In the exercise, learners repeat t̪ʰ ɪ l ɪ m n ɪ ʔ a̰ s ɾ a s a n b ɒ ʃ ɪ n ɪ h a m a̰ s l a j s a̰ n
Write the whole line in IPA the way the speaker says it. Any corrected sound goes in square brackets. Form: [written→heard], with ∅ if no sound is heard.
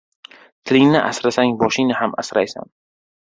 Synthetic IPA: t̪ʰ ɪ l ɪ [m→ŋ] n ɪ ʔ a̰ s ɾ a s a [n→ŋ] b ɒ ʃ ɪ n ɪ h a m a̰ s [l→ɾ] a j s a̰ n